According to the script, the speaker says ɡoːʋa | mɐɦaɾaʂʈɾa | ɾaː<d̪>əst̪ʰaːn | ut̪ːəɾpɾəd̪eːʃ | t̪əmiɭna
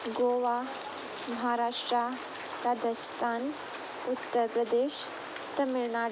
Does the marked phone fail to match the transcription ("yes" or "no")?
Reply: no